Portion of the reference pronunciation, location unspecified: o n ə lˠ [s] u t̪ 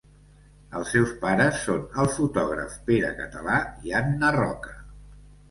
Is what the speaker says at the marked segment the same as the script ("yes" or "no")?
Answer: no